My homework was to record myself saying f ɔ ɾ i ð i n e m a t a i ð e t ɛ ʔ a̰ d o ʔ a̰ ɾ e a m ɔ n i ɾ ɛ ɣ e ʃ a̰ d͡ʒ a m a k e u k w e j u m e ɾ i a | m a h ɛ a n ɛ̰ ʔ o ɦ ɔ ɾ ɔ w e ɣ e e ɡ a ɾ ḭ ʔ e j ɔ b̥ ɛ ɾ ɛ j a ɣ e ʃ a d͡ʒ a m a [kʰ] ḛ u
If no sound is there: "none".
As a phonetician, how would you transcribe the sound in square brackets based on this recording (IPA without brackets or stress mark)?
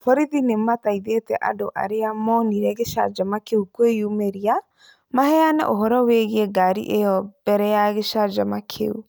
kʰ